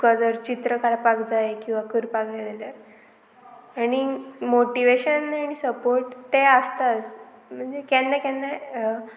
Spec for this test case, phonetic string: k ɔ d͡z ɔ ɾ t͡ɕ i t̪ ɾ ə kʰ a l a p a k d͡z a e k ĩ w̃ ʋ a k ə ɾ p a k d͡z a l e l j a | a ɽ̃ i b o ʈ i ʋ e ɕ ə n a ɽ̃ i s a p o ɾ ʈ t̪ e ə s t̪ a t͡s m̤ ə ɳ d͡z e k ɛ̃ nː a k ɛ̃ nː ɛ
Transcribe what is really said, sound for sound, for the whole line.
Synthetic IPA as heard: k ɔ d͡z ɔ ɾ t͡ɕ i t̪ ɾ ə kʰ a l a p a k d͡z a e k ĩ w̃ ʋ a k ə ɾ p a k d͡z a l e l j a | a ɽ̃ i m o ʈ i ʋ e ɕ ə n a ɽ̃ i s ə p o ɾ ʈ t̪ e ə s t̪ a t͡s m̤ ə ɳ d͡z e k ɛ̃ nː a k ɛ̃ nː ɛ

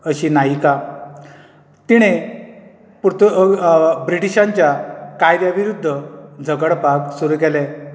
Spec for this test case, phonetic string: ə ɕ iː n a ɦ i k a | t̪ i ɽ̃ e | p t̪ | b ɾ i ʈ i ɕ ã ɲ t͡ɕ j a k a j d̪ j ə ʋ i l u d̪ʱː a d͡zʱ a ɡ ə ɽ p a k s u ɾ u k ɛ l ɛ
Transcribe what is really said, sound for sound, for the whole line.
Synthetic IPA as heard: ə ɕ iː n a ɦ i k a | t̪ i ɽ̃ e | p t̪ | b ɾ i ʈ i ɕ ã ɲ t͡ɕ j a k a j d̪ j a ʋ i ɾ u d̪ʱː ə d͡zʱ ə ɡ ə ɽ p a k s u ɾ u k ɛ l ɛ

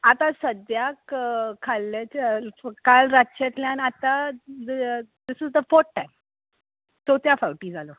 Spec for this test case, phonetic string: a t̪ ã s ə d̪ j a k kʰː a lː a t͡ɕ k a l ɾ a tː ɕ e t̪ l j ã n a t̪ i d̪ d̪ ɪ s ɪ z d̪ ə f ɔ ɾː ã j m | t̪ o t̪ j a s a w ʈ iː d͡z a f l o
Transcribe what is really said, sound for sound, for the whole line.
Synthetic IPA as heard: a t̪ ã s ə d̪ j a k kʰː a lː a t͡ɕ k a l ɾ a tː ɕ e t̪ l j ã n a t̪ a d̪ d̪ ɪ s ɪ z d̪ ə f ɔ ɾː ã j m | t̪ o t̪ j a f a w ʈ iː d͡z a l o

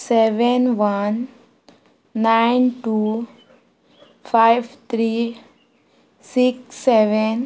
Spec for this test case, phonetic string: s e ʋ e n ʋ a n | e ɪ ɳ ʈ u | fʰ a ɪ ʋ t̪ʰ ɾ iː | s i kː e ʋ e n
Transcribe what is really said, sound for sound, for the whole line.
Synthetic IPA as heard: s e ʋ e n ʋ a n | a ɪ n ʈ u | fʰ a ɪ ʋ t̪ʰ ɾ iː | s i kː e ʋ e n

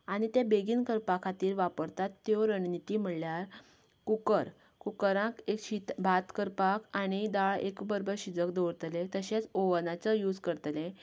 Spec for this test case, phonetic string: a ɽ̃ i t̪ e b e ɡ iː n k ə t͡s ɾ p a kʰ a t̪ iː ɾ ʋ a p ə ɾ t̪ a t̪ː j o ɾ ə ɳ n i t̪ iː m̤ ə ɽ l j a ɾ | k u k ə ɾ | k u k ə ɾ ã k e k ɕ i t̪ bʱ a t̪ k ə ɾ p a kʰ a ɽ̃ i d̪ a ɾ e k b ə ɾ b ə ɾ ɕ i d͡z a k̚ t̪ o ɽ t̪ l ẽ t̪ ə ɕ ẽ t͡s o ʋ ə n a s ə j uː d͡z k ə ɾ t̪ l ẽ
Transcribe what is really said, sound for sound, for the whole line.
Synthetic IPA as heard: a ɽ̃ i t̪ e b e ɡ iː n k ə ɾ p a kʰ a t̪ iː ɾ ʋ a p ə ɾ t̪ a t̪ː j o ɾ ə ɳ n i t̪ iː m̤ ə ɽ l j a ɾ | k u k ə ɾ | k u k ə ɾ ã k e k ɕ i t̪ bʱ a t̪ k ə ɾ p a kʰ a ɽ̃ i d̪ a ɭ e k b ə ɾ b ə ɾ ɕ i d͡z ə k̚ d̪ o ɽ t̪ l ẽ t̪ ə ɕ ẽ t͡s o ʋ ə n a t͡s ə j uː d͡z k ə ɾ t̪ l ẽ

